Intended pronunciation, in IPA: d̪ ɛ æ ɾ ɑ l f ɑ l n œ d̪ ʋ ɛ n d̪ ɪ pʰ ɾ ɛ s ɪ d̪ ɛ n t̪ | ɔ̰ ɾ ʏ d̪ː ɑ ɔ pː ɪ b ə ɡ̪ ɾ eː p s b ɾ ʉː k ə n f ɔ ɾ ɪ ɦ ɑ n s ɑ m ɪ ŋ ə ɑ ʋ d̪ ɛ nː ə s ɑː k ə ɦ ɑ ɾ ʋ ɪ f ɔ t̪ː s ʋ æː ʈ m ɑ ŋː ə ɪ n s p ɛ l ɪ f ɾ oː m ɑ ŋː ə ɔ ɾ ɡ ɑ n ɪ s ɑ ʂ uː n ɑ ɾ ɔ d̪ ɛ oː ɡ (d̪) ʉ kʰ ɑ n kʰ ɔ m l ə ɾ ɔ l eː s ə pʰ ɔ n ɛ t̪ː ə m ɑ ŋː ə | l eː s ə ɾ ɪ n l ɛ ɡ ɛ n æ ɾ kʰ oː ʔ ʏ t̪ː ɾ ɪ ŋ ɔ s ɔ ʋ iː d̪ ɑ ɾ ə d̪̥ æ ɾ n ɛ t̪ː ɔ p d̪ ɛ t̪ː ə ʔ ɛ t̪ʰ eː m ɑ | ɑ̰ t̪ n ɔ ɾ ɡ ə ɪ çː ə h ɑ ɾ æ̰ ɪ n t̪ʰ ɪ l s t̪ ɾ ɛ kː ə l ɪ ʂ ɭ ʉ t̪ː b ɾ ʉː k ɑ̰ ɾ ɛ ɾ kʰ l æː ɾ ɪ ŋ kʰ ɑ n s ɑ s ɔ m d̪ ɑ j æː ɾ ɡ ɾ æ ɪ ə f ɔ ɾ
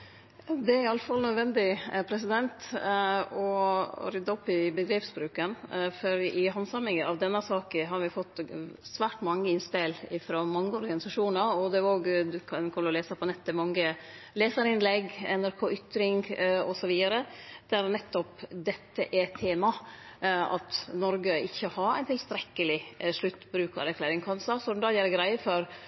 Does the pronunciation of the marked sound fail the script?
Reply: no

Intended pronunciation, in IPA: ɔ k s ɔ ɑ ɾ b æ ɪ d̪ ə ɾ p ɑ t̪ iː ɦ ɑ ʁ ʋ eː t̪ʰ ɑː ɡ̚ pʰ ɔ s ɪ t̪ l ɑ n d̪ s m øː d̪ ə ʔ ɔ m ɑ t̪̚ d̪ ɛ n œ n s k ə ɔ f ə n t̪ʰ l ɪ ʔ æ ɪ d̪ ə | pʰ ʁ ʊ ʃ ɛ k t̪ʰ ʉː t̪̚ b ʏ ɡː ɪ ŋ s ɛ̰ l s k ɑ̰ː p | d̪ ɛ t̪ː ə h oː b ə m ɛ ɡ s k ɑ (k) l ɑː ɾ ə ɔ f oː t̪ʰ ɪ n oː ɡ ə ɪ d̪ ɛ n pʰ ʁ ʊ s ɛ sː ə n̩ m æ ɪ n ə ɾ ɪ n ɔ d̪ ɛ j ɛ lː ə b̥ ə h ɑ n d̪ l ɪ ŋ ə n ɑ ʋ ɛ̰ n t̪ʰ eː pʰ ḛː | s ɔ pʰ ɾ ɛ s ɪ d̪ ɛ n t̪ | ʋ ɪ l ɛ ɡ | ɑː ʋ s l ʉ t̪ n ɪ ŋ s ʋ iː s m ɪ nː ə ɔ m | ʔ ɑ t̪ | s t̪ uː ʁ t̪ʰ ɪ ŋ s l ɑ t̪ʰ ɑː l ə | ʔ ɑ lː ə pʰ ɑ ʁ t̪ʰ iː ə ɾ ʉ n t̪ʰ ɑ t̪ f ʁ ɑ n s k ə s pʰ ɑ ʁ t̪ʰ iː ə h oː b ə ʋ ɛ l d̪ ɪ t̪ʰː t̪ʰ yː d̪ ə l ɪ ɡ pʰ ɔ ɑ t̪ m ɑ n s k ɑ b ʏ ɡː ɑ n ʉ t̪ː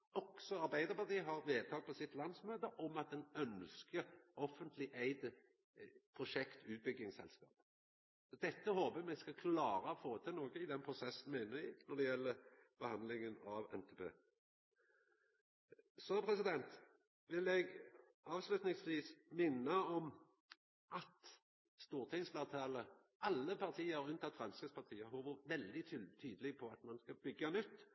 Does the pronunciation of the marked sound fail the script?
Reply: yes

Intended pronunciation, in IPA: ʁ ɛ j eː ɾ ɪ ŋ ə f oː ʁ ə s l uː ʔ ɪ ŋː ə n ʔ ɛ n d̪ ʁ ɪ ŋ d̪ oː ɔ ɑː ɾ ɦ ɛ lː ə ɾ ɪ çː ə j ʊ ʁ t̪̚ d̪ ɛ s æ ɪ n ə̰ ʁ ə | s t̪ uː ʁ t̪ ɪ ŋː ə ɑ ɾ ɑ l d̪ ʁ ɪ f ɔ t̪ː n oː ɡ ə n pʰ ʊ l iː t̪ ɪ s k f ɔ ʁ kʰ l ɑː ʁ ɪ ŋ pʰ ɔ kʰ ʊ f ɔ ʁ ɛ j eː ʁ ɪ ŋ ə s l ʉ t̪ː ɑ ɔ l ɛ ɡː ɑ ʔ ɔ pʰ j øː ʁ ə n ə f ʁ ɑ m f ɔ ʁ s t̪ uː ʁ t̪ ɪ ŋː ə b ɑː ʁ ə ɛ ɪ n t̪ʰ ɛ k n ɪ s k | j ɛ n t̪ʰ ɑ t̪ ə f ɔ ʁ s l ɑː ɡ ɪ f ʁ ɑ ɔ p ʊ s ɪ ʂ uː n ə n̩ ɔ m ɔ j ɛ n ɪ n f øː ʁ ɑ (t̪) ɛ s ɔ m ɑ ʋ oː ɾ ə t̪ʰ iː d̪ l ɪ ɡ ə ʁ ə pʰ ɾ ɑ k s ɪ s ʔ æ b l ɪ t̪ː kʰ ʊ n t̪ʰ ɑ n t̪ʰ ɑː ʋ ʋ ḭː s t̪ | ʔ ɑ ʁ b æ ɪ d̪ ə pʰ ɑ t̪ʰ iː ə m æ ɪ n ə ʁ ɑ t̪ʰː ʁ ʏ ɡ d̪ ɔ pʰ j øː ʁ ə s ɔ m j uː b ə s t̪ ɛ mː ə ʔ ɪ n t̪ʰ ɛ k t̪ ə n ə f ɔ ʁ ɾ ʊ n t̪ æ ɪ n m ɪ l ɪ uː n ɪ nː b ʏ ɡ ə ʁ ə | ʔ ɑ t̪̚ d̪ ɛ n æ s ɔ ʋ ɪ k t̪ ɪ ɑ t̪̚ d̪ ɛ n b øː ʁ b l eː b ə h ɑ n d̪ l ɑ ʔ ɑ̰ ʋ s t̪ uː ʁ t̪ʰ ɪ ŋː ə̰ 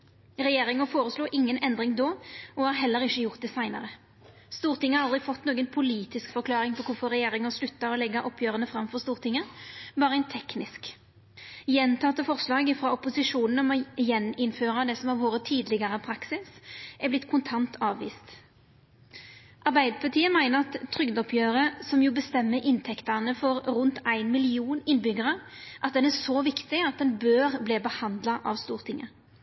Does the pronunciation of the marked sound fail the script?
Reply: yes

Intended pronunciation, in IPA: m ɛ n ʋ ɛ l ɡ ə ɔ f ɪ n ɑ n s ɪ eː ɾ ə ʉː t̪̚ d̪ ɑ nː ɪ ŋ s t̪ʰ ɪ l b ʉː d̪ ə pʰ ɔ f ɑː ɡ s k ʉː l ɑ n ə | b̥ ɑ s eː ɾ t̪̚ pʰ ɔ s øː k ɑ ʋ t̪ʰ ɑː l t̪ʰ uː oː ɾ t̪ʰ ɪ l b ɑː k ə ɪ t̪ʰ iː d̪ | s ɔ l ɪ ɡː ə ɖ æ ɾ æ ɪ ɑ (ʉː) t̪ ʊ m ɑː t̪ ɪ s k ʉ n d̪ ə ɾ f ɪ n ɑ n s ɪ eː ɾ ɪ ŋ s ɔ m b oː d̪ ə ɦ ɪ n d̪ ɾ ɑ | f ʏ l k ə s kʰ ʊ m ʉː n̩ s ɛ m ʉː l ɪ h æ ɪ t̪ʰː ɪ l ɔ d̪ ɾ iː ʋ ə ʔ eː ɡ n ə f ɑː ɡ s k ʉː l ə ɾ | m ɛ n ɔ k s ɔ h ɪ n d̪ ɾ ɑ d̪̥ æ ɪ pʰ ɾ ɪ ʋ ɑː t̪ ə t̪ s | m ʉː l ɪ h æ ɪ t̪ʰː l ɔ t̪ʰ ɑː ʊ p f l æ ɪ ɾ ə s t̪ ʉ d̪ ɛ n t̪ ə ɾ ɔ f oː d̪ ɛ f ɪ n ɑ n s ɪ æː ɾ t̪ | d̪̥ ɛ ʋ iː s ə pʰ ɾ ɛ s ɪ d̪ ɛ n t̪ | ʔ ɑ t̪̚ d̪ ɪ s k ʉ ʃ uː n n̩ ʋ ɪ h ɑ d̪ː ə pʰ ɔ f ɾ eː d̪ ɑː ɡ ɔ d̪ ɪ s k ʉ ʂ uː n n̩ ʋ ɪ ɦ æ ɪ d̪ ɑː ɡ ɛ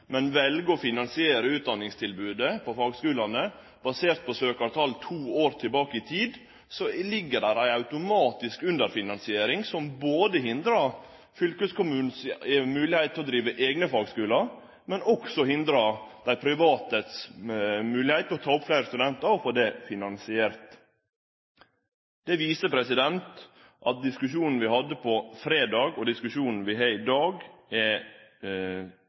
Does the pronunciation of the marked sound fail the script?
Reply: yes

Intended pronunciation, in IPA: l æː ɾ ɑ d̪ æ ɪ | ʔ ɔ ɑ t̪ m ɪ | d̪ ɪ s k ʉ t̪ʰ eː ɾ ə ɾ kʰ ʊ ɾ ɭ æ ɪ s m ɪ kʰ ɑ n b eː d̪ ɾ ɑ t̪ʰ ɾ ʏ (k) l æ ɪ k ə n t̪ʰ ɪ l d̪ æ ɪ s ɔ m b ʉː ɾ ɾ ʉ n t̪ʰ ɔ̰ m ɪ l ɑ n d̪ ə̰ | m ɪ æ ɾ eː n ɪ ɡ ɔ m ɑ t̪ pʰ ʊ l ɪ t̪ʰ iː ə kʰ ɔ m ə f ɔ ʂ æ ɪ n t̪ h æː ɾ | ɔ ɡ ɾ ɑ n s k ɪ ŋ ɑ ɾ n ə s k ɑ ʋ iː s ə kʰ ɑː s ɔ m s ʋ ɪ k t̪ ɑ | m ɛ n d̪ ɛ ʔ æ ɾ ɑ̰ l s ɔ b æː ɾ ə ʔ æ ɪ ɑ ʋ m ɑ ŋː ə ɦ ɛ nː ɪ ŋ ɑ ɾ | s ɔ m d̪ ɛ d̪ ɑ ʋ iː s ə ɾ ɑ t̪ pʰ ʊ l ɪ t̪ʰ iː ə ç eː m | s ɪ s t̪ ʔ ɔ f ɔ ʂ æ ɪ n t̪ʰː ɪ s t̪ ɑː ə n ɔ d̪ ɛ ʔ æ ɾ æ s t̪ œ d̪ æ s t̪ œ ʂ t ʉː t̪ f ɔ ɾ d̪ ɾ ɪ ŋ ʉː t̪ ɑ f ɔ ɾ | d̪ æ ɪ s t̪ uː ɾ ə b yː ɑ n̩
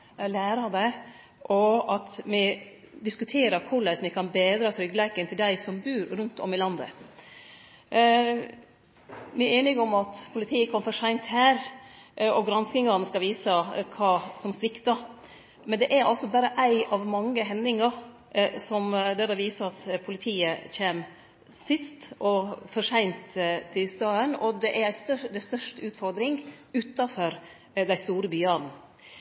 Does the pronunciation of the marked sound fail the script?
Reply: yes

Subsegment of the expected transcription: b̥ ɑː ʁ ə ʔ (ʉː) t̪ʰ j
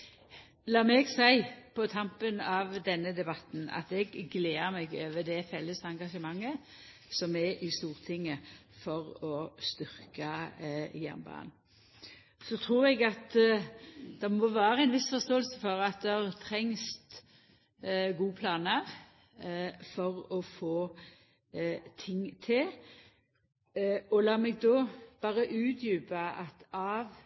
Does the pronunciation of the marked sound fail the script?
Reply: no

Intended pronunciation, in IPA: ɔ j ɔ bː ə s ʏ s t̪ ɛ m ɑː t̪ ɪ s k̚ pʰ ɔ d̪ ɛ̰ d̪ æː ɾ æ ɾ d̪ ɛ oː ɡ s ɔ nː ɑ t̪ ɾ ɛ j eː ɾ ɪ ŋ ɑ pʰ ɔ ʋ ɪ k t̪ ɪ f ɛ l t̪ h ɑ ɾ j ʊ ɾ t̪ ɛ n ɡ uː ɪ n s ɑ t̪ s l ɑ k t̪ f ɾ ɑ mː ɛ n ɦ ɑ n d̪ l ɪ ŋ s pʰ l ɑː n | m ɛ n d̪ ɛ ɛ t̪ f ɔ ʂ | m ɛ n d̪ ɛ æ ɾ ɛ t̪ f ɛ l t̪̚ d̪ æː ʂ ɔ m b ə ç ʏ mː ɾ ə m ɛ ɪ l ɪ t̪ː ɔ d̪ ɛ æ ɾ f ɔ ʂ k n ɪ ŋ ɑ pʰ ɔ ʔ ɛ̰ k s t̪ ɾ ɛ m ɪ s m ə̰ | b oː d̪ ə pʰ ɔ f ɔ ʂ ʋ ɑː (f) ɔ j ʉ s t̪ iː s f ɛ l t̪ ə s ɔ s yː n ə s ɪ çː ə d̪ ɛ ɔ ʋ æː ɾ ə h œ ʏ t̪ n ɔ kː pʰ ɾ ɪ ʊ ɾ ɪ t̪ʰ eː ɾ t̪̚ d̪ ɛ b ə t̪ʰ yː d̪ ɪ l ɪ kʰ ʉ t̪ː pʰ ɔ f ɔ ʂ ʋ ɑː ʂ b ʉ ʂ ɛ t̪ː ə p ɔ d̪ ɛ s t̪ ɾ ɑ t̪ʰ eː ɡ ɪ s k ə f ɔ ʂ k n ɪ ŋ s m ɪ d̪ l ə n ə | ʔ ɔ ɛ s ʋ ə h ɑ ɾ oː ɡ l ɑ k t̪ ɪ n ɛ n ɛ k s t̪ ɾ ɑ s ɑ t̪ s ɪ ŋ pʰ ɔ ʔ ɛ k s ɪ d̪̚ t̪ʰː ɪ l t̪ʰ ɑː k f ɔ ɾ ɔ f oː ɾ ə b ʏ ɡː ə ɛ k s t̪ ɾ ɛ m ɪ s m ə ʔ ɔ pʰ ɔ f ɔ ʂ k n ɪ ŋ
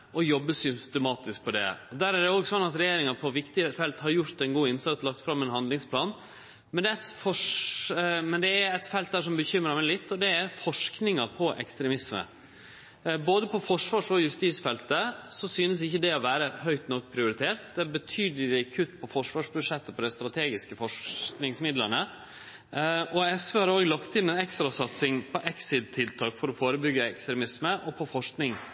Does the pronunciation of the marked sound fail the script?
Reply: yes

